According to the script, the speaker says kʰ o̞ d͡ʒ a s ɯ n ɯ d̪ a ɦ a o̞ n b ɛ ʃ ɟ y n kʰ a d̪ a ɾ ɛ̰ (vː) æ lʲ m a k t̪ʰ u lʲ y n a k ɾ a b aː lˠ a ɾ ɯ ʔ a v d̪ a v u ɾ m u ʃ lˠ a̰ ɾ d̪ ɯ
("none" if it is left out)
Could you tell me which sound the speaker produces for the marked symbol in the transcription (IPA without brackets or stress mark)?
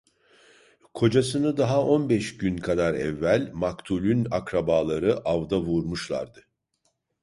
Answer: vː